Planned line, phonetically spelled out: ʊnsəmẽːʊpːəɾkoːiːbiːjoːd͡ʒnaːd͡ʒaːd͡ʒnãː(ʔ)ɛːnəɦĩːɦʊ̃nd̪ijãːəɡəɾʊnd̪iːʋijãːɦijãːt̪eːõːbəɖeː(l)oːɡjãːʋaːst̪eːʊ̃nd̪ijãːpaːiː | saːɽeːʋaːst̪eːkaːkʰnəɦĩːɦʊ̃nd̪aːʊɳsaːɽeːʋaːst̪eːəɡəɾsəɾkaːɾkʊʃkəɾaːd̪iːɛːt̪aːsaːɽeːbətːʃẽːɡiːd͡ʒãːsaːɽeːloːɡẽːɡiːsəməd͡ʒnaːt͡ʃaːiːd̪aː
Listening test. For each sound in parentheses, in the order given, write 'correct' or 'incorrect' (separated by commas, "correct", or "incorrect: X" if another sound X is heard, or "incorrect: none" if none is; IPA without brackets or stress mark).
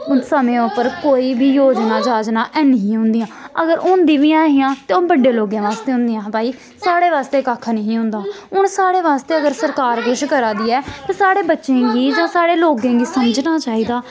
correct, correct